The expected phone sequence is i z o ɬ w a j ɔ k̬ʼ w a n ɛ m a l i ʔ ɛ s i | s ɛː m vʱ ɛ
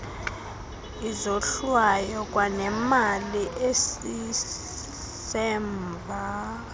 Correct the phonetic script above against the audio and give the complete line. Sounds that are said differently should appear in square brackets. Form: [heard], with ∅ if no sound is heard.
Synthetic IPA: i z o ɬ w a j ɔ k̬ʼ w a n ɛ m a l i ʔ [e] s i | s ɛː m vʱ [a]